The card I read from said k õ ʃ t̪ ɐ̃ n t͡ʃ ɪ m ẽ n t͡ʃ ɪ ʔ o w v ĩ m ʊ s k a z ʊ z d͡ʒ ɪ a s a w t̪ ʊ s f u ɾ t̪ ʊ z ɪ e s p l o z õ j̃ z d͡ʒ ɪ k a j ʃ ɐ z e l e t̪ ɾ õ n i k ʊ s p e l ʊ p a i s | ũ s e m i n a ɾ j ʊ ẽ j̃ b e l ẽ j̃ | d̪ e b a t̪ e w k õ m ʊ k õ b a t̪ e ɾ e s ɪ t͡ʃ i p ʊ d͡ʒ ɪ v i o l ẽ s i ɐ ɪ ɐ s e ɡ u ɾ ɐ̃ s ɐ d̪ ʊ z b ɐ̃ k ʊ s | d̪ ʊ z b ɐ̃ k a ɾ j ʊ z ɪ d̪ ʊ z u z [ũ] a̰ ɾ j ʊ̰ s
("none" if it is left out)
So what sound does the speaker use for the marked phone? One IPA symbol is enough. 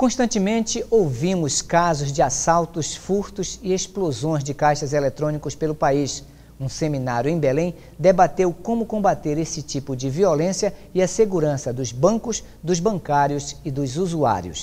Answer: u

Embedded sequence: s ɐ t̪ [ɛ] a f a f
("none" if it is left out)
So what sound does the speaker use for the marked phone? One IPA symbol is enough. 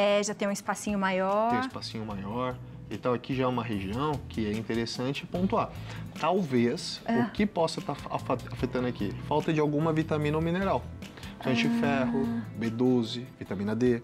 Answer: a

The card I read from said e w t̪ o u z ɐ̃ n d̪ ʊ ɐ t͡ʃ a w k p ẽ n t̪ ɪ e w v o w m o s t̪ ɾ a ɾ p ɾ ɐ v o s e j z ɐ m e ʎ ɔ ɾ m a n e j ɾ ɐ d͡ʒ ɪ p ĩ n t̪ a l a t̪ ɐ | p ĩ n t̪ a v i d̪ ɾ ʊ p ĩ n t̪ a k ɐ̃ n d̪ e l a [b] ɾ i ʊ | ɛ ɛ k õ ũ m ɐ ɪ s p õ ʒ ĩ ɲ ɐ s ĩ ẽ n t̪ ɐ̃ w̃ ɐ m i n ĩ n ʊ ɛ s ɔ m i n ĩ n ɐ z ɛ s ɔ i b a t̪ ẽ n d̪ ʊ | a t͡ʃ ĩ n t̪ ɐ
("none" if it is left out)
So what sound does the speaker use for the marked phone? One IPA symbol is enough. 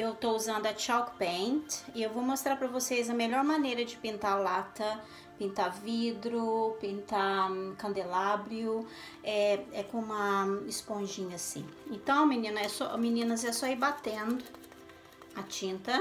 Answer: b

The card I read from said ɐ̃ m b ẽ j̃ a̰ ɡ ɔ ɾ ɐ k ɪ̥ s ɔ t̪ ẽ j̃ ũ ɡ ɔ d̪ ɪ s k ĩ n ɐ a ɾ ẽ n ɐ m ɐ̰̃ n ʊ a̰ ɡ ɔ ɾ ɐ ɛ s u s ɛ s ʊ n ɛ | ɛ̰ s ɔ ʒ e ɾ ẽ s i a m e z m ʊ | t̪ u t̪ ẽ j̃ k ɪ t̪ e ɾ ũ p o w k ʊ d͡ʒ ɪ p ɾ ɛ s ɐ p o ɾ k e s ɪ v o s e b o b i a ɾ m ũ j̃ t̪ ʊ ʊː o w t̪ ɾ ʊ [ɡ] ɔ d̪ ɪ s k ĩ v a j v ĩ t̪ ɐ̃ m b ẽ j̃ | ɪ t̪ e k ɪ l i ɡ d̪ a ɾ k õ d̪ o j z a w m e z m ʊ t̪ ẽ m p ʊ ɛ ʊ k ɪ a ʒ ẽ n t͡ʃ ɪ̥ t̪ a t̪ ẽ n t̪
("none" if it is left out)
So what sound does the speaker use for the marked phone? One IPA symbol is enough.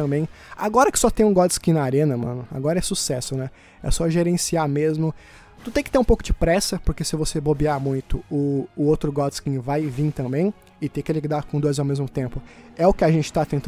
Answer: ɡ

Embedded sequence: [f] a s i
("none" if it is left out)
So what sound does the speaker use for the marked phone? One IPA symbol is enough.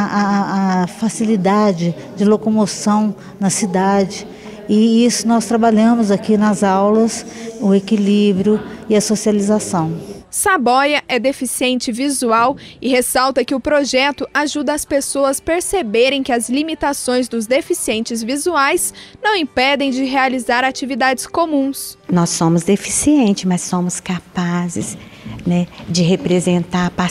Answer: f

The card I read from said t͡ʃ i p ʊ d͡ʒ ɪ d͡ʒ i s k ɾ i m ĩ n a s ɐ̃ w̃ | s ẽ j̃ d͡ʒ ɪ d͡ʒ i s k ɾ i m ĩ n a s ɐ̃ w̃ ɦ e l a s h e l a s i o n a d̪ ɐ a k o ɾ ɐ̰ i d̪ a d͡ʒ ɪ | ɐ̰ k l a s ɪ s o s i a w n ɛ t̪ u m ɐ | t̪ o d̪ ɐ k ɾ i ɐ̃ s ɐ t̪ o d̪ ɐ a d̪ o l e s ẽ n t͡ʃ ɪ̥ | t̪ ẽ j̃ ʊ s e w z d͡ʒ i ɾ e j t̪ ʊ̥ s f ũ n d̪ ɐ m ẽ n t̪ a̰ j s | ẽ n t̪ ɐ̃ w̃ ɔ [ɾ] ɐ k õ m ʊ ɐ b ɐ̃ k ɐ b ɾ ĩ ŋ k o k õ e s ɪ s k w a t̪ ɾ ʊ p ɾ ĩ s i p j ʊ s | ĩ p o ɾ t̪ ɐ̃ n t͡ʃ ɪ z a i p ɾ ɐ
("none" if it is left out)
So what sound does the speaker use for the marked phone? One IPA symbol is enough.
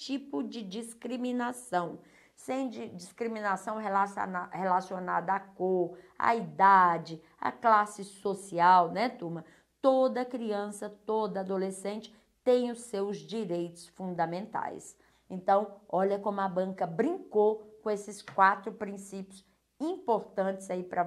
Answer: ʎ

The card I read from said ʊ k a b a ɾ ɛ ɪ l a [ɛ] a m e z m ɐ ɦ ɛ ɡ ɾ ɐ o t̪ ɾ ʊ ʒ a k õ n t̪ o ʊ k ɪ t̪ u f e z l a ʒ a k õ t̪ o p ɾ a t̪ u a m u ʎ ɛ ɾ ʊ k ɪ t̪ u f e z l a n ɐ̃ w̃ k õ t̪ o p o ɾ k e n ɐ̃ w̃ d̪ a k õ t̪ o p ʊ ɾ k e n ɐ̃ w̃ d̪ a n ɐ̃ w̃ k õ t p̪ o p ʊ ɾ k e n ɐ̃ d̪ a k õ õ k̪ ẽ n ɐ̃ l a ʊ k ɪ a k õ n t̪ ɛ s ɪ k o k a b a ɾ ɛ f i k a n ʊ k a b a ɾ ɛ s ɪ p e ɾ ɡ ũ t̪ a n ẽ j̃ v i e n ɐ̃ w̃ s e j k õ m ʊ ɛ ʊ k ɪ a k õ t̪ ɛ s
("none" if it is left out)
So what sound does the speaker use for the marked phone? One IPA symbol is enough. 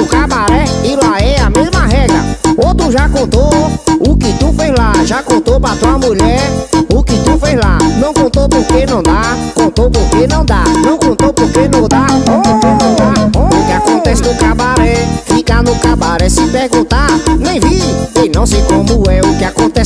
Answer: ɛ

